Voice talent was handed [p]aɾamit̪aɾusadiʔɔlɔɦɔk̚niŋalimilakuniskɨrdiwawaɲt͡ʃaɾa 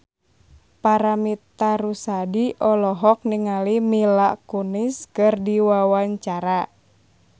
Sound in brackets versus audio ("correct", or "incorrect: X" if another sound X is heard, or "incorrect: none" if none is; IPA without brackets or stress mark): correct